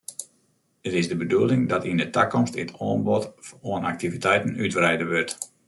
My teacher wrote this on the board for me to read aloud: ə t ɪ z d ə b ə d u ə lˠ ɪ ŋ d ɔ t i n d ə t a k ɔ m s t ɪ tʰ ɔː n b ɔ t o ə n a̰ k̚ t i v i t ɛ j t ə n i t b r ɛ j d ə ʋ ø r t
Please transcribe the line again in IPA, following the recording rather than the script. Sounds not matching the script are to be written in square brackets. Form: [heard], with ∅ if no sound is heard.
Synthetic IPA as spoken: ə t ɪ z d ə b ə d u ə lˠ ɪ ŋ d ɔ t i n d ə t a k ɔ m s t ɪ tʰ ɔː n b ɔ t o ə n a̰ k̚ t i v i t ɛ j t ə n [y] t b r ɛ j d ə ʋ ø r t